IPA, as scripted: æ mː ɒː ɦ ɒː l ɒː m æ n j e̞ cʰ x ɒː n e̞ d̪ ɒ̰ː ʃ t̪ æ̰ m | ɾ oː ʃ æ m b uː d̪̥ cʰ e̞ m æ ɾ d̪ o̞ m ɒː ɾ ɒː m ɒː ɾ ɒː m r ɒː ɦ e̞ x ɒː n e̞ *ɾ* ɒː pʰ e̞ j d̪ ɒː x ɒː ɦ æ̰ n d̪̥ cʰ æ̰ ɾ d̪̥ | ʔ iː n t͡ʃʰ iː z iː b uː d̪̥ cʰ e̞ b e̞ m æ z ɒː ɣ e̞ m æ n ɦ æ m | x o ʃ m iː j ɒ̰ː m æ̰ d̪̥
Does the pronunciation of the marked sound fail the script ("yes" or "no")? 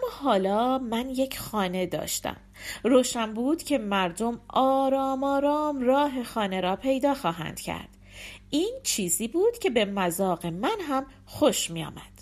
no